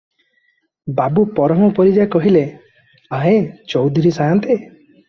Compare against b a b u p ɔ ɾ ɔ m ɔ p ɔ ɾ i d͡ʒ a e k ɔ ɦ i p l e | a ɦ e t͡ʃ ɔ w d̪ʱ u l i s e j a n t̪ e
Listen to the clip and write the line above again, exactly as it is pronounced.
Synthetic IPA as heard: b a b u p ɔ ɾ ɔ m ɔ p ɔ ɾ i d͡ʒ a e k ɔ ɦ i l e | a ɦ e t͡ʃ ɔ w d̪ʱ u ɾ i s a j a n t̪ e